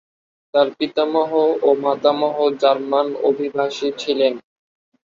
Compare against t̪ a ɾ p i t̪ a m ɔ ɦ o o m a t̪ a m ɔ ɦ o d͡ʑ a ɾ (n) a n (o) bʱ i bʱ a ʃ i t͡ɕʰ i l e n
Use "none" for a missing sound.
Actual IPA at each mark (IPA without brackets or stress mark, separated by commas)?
m, o